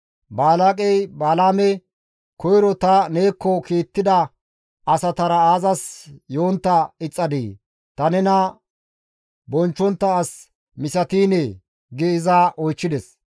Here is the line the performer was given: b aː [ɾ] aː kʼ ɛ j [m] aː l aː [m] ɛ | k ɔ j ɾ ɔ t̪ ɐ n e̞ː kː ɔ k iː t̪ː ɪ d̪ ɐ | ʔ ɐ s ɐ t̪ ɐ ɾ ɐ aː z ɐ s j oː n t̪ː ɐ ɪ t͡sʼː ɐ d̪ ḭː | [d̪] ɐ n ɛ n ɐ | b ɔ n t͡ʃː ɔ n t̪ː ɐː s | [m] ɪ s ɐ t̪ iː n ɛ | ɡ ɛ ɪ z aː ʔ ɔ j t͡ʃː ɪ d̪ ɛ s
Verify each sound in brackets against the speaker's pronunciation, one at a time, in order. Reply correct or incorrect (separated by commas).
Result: incorrect, incorrect, correct, incorrect, correct